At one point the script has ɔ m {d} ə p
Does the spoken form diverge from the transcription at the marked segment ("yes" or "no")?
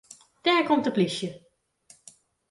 yes